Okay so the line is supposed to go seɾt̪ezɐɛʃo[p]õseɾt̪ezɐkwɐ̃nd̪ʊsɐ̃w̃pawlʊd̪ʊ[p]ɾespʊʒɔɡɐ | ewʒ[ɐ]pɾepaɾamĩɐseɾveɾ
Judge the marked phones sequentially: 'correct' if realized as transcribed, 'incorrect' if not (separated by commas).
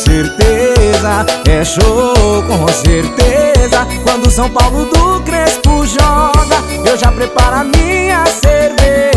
incorrect, incorrect, incorrect